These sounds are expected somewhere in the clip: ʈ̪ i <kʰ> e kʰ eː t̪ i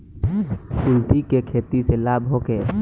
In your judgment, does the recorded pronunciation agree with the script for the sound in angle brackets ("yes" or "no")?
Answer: no